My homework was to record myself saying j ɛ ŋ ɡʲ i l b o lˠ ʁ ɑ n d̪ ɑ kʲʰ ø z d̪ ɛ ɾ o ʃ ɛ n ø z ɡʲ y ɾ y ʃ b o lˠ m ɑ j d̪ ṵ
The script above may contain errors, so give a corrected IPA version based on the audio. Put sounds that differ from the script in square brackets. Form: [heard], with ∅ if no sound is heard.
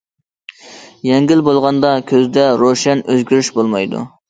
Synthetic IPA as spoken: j ɛ ŋ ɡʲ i l b o lˠ ʁ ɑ n d̪ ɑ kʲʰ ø z d̪ ɛ ɾ o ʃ ɛ n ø z ɡʲ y ɾ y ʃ b o lˠ m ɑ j d̪ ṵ

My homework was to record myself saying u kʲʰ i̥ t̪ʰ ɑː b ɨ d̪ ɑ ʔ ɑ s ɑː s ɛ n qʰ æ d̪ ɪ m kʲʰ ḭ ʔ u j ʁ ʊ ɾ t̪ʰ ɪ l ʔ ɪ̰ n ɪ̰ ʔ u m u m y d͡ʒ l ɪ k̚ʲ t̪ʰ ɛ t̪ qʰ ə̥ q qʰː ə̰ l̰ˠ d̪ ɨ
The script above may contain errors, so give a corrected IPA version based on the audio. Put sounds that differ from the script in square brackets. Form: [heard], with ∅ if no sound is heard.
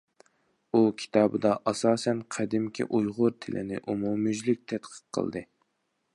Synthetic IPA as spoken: u kʲʰ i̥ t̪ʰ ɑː b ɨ d̪ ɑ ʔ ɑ s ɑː s ɛ n qʰ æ d̪ ɪ m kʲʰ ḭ ʔ u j ʁ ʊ ɾ t̪ʰ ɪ l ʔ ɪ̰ n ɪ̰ ʔ u m u m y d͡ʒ l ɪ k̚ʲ t̪ʰ ɛ t̪ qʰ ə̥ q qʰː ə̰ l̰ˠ d̪ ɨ

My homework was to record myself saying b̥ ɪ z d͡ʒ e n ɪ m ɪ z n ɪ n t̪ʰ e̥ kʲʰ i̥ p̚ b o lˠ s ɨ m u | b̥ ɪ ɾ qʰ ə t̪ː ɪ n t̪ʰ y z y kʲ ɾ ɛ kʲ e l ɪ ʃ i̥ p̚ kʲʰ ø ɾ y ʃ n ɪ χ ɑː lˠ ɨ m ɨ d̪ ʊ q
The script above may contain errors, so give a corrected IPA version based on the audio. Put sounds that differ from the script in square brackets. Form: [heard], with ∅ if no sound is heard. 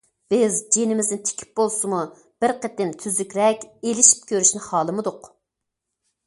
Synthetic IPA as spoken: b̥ ɪ z d͡ʒ e n ɪ m ɪ z n ɪ n t̪ʰ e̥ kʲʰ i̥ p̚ b o lˠ s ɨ m u | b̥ ɪ ɾ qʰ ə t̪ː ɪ n t̪ʰ y z y kʲ ɾ ɛ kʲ e l ɪ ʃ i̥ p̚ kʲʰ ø ɾ y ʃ n ɪ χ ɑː lˠ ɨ m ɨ d̪ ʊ q

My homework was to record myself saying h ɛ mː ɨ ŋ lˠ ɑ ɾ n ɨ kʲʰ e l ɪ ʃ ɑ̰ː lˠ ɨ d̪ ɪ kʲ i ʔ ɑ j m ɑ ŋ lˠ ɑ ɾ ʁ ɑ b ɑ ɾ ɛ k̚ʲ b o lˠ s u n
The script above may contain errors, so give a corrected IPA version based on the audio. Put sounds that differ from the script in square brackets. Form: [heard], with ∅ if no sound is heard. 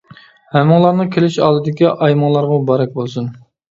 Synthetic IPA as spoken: h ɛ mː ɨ ŋ lˠ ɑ ɾ n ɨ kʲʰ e l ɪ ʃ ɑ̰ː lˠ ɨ d̪ ɪ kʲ i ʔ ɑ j m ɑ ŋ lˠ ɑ ɾ ʁ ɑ b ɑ ɾ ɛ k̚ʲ b o lˠ s u n

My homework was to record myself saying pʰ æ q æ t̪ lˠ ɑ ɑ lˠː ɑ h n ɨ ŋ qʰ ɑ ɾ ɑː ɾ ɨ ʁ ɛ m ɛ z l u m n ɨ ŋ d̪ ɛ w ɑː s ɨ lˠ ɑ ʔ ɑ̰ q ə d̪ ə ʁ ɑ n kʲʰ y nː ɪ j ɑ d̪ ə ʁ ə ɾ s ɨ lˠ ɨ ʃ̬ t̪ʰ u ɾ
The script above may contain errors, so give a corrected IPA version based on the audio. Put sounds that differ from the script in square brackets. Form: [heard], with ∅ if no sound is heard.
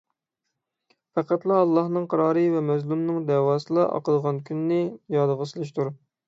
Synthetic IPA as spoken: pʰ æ q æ t̪ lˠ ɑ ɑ lˠː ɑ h n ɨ ŋ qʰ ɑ ɾ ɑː ɾ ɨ [v] ɛ m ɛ z l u m n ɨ ŋ d̪ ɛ w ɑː s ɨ lˠ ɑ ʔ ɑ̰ q ə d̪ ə ʁ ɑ n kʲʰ y nː ɪ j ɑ d̪ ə ʁ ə [∅] s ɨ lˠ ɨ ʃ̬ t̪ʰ u ɾ

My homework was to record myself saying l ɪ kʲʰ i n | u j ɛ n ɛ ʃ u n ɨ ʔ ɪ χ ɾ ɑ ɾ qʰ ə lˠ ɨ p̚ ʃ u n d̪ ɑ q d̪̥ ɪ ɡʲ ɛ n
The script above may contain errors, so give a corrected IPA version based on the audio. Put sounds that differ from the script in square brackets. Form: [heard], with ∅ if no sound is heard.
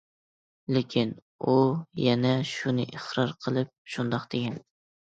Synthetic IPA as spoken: l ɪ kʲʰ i n | u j ɛ n ɛ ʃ u n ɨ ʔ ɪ χ ɾ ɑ ɾ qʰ ə lˠ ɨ p̚ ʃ u n d̪ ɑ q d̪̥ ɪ ɡʲ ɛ n

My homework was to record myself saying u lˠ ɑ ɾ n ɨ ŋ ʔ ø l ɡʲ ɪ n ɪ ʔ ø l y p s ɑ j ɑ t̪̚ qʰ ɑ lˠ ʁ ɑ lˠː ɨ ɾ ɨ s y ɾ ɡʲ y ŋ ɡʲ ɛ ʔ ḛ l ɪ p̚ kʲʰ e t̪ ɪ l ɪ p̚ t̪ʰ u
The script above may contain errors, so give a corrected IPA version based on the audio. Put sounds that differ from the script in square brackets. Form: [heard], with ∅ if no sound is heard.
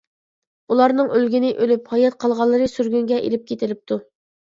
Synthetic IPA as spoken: u lˠ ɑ ɾ n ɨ ŋ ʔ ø l ɡʲ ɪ n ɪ ʔ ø l y p [h] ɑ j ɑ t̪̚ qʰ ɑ lˠ ʁ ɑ lˠː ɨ ɾ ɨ s y ɾ ɡʲ y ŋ ɡʲ ɛ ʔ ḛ l ɪ p̚ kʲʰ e t̪ ɪ l ɪ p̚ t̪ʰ u

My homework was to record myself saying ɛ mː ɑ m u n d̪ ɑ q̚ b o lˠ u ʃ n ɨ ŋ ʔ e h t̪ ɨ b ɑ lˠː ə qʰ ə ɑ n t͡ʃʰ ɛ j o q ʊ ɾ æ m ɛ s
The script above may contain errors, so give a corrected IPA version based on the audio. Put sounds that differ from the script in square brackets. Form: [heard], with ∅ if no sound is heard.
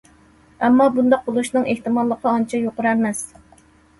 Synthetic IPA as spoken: ɛ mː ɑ [b] u n d̪ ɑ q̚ b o lˠ u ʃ n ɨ ŋ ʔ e h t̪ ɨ [m] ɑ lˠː ə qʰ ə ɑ n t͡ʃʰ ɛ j o q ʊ ɾ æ m ɛ s

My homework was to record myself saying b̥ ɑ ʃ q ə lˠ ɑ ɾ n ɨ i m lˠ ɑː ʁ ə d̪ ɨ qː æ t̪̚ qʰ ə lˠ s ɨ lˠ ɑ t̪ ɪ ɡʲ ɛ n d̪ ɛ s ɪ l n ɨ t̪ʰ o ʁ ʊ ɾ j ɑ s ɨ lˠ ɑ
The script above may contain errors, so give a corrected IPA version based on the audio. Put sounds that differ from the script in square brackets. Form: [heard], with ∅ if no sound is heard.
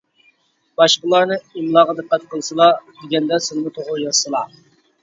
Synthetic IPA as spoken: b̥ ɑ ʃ q ə lˠ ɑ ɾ n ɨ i m lˠ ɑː ʁ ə d̪ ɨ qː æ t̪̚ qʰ ə lˠ s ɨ lˠ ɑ [d̪] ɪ ɡʲ ɛ n d̪ ɛ s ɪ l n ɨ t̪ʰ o ʁ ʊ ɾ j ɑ s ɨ lˠ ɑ

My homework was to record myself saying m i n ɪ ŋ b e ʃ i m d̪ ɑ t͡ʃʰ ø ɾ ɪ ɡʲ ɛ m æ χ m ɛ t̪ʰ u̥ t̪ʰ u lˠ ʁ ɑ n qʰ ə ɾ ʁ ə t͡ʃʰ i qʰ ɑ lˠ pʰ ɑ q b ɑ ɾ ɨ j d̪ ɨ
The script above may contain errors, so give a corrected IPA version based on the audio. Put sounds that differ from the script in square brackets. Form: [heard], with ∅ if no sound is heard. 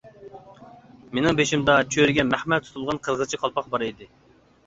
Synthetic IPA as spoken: m [e] n ɪ ŋ b e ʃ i m d̪ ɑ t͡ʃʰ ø ɾ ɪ ɡʲ ɛ m æ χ m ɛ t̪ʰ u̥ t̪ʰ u lˠ ʁ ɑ n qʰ ə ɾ ʁ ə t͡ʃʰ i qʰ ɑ lˠ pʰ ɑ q b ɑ ɾ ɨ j d̪ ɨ

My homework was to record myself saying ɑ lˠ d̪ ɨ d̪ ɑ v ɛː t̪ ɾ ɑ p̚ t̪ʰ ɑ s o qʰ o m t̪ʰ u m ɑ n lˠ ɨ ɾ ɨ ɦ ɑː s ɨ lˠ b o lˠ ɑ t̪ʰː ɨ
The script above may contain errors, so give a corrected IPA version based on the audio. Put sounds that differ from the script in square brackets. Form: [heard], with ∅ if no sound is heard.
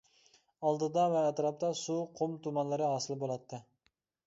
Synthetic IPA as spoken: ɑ lˠ d̪ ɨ d̪ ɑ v ɛː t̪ ɾ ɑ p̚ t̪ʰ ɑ s [u] qʰ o m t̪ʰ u m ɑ n lˠ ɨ ɾ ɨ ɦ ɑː s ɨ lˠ b o lˠ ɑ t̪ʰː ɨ

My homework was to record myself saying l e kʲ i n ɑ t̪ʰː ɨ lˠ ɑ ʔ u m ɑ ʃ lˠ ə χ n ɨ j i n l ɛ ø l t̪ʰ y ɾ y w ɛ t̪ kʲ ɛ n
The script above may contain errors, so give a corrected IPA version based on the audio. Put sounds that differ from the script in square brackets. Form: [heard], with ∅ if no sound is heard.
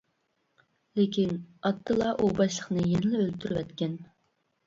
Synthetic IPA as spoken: l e kʲ i n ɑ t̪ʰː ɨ lˠ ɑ ʔ u [b] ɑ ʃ lˠ ə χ n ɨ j [ɛ] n l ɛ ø l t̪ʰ y ɾ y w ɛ t̪ kʲ ɛ n

